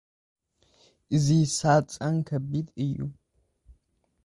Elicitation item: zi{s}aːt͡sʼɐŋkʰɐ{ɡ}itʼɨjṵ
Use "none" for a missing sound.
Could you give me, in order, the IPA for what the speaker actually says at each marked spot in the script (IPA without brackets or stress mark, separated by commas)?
s, b